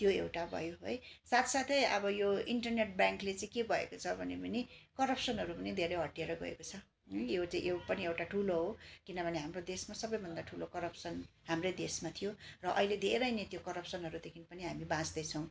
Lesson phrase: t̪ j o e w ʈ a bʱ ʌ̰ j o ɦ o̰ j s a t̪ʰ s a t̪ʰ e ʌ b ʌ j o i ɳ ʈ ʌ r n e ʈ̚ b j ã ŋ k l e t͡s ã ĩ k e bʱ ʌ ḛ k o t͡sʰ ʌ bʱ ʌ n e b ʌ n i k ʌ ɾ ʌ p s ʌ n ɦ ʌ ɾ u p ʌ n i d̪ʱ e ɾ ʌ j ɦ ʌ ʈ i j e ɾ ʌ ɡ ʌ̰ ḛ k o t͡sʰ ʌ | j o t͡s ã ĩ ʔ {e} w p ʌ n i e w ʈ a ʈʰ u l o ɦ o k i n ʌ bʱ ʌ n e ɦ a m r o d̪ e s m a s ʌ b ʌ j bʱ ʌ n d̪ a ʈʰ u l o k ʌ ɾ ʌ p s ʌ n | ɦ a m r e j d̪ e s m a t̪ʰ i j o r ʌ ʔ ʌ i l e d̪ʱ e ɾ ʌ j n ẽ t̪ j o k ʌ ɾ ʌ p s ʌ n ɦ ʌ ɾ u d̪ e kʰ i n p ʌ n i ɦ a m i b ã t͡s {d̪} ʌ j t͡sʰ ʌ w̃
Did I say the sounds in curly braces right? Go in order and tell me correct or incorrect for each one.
correct, correct

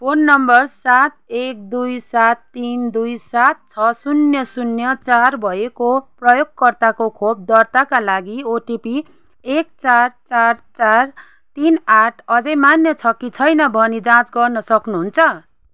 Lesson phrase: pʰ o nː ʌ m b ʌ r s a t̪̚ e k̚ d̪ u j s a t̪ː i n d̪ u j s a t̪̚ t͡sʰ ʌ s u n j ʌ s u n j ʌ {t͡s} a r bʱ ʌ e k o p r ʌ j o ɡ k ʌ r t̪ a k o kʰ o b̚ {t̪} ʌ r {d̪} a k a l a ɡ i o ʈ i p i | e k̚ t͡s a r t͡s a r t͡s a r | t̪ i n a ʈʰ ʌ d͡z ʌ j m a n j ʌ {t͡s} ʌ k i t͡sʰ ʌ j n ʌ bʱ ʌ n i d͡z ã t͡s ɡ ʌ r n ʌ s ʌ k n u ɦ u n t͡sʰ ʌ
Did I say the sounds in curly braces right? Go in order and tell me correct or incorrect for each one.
correct, incorrect, incorrect, incorrect

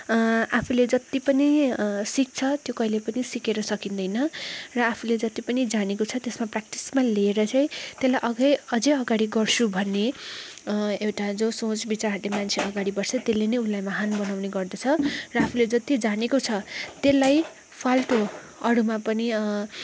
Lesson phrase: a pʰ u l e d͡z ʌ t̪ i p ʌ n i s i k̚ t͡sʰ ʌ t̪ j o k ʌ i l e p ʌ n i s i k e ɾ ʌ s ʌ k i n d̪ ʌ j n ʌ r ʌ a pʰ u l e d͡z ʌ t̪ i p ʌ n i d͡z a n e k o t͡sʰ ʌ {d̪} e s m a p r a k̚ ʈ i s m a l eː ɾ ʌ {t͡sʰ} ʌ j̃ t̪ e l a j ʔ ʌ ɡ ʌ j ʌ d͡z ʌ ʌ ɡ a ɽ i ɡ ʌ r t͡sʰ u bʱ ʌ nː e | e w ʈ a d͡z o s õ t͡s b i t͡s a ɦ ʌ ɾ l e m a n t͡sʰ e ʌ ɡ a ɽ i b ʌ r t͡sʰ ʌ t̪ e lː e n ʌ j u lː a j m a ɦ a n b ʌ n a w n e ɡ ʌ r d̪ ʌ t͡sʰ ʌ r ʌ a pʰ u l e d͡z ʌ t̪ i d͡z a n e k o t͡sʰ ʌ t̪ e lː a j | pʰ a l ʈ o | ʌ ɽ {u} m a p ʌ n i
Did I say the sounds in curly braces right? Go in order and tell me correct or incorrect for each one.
incorrect, incorrect, correct

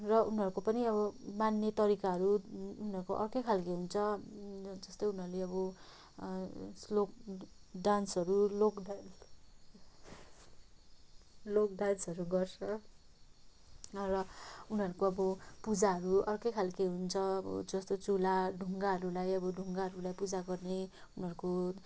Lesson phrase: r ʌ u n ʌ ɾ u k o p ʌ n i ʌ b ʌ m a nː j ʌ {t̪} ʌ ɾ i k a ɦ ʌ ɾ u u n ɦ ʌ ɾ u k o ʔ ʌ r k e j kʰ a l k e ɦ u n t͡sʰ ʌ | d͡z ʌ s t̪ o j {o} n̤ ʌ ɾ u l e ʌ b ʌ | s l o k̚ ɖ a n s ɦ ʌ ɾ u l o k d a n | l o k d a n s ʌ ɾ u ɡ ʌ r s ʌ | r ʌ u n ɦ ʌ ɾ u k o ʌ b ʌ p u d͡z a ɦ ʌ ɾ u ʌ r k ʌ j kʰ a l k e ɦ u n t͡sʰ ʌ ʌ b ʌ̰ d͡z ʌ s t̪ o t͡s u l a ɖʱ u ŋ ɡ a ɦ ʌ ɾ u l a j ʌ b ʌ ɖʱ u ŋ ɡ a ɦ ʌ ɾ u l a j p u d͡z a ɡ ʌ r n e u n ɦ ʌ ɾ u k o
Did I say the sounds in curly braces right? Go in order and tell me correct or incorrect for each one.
correct, incorrect

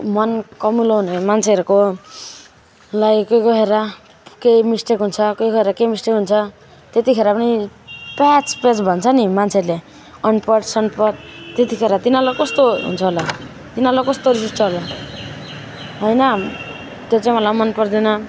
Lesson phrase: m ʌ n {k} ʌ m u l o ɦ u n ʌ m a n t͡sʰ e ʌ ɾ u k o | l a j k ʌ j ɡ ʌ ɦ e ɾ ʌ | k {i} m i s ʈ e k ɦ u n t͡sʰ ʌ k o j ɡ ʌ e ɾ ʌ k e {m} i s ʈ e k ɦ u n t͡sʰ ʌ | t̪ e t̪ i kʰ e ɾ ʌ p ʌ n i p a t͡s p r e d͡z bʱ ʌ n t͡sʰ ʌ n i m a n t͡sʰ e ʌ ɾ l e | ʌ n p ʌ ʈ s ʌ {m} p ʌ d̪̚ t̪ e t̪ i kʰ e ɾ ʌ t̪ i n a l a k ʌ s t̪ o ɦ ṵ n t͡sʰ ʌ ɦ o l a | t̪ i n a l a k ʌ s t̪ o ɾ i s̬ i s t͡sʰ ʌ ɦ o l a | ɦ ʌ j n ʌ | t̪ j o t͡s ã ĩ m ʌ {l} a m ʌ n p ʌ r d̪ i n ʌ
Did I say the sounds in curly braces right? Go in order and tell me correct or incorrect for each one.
correct, incorrect, correct, incorrect, correct

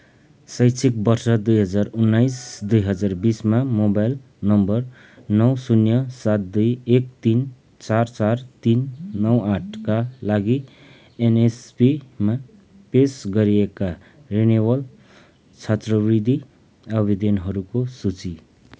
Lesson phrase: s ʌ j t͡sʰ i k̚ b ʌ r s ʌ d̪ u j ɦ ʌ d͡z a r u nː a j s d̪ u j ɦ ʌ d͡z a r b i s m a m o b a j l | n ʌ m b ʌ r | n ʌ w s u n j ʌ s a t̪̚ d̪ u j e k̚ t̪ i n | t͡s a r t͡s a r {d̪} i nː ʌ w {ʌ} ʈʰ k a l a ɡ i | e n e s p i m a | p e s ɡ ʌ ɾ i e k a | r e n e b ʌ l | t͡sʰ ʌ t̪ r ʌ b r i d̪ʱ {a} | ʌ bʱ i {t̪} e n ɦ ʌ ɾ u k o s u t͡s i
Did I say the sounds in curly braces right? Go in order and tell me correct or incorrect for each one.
incorrect, incorrect, incorrect, incorrect

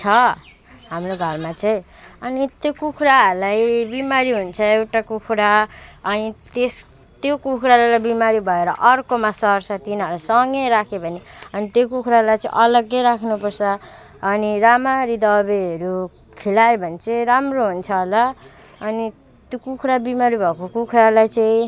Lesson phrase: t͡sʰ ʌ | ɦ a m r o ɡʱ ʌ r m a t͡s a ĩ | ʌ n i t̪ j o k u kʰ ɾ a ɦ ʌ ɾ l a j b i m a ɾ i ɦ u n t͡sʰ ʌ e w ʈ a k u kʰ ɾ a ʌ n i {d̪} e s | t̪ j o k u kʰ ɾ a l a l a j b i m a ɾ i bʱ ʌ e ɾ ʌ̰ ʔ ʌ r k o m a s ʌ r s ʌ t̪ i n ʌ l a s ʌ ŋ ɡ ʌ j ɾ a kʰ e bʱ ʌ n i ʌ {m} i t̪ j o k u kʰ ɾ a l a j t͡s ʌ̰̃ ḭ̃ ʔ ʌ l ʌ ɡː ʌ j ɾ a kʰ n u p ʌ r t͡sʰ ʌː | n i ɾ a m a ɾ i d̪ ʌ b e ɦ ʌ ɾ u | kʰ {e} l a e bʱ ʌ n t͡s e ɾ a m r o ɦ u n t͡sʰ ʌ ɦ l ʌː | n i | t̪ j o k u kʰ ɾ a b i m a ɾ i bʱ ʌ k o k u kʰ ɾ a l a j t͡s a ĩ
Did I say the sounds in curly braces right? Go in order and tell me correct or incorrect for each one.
incorrect, incorrect, incorrect

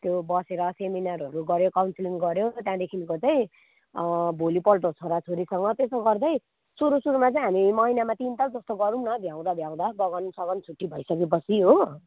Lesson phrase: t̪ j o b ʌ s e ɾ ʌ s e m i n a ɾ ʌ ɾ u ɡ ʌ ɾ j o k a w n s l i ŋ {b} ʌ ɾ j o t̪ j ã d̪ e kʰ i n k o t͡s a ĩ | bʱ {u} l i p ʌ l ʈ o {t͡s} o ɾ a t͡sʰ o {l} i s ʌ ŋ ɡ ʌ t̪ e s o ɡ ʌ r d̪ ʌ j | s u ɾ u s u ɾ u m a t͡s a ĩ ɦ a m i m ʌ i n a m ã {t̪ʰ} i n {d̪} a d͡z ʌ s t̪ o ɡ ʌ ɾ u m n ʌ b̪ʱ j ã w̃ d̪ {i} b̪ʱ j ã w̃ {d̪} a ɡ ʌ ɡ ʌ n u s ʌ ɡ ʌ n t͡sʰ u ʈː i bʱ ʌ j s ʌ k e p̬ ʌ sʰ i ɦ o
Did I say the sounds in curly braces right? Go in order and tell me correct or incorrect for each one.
incorrect, incorrect, incorrect, incorrect, incorrect, incorrect, incorrect, correct

